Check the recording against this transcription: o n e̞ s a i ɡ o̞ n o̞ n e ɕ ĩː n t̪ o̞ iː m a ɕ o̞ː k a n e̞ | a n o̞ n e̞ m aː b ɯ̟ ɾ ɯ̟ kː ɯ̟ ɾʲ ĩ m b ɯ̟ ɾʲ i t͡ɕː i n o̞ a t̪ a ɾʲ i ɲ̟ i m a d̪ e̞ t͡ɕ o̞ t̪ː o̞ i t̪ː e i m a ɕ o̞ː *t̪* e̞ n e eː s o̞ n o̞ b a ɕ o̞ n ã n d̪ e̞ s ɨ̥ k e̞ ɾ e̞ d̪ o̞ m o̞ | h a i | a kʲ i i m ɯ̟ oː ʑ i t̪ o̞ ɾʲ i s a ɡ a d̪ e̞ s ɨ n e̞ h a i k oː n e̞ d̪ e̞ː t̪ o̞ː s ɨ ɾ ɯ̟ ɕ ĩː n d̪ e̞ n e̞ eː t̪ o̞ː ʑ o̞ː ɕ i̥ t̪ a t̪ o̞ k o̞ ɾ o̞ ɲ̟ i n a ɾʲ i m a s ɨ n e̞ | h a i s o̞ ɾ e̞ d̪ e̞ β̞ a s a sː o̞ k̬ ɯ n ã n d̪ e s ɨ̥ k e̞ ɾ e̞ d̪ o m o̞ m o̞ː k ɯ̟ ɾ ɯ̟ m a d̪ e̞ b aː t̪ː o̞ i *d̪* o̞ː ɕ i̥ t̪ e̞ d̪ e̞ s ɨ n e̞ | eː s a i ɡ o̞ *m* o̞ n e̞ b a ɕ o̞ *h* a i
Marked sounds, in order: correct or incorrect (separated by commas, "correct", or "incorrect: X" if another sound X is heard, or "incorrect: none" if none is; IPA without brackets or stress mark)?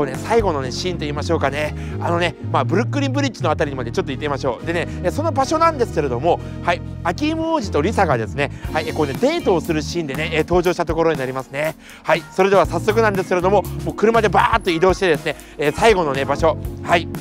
incorrect: d̪, correct, incorrect: n, correct